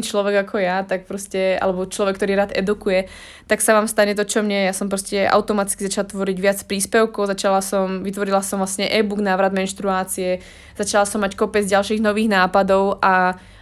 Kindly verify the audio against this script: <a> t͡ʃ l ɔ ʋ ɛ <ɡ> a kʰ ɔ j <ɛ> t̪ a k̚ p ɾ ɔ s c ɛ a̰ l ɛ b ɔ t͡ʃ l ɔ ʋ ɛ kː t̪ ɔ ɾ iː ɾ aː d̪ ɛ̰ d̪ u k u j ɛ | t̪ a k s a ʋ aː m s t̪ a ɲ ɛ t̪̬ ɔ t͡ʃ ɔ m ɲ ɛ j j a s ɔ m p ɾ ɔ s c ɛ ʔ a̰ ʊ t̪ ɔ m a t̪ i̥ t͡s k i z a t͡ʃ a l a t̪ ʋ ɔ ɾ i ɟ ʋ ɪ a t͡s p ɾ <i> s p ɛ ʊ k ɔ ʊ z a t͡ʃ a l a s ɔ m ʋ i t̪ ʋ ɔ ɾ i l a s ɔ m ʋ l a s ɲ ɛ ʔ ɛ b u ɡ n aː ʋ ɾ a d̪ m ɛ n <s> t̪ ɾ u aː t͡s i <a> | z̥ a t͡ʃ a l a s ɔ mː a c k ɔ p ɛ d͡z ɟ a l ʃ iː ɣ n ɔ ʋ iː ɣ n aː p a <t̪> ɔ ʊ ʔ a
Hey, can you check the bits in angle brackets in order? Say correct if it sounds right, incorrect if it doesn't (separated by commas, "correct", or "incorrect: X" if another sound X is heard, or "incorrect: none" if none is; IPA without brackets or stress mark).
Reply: incorrect: i, correct, incorrect: a, incorrect: iː, incorrect: ʃ, incorrect: ɛ, incorrect: d̪